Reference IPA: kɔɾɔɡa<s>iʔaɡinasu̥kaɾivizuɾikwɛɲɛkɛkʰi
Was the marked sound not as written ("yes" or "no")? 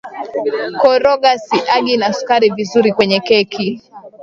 no